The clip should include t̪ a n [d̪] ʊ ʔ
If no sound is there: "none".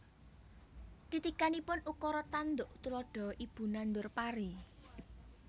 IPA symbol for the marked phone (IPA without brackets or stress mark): d̪